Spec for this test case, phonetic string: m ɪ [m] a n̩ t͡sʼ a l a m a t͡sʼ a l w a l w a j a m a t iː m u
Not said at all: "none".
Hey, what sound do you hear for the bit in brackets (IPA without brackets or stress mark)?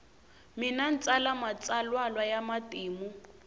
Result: n